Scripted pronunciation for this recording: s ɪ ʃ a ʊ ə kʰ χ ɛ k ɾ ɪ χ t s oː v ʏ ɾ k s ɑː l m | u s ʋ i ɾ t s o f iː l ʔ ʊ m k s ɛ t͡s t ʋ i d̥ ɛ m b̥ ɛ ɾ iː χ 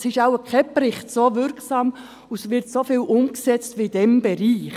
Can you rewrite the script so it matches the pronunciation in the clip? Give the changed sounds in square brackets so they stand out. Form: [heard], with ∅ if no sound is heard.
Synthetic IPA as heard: s ɪ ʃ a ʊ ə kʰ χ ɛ [p] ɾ ɪ χ t s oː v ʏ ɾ k s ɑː [∅] m | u s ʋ [ɪ] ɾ t s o f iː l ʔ ʊ m k s ɛ t͡s t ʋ i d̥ ɛ m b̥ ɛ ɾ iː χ